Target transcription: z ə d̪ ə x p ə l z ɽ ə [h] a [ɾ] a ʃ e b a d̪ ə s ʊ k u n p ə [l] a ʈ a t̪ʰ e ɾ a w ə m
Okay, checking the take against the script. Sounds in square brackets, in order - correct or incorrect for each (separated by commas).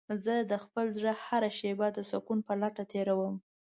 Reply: correct, correct, correct